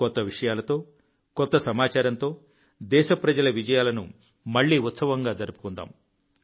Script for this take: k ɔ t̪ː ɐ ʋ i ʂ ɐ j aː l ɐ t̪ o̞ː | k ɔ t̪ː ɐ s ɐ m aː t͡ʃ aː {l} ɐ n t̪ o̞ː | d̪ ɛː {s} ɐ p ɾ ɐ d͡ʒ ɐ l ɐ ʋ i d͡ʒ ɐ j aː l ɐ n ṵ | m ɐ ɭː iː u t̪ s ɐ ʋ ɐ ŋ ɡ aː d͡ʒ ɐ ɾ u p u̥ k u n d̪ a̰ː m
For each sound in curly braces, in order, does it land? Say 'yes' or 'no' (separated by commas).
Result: no, no